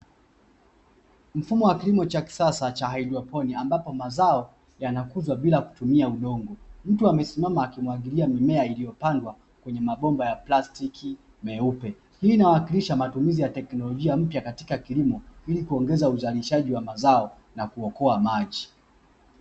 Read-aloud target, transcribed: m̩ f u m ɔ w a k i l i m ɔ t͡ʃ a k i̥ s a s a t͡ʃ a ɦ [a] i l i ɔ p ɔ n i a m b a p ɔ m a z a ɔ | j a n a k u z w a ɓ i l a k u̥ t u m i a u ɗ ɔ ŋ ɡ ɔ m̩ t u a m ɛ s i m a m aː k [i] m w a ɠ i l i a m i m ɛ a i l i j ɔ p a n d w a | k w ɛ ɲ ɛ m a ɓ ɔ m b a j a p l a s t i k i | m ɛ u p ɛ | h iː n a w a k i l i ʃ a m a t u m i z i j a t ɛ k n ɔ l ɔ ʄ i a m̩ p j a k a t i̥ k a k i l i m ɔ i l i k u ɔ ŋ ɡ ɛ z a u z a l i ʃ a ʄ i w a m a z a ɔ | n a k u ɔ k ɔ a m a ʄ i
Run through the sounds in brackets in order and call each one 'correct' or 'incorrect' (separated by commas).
correct, correct